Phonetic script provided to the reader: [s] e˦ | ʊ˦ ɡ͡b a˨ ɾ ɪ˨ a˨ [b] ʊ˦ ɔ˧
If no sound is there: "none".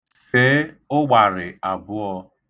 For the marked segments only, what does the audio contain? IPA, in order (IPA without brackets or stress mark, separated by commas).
s, b